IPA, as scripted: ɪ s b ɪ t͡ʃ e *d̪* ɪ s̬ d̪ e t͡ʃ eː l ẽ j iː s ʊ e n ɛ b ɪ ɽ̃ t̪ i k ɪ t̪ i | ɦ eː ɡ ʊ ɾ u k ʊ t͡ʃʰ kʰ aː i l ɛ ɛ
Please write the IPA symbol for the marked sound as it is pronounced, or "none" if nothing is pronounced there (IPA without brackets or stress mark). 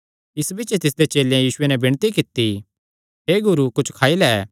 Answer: t̪